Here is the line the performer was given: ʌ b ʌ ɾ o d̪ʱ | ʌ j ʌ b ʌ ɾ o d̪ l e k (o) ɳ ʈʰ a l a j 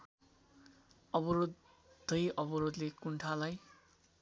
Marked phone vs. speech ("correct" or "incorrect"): incorrect